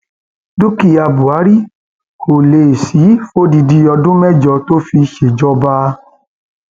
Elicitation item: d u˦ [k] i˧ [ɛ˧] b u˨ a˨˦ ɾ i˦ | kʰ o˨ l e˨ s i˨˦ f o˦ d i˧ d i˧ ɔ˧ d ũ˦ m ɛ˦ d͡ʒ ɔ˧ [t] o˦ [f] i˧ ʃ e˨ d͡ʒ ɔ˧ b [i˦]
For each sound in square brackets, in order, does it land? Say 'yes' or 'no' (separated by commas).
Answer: yes, no, yes, yes, no